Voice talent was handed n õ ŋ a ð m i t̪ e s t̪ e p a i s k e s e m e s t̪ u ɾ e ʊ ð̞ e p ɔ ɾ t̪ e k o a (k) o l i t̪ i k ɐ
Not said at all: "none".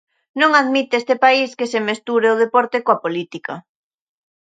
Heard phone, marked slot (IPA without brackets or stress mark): p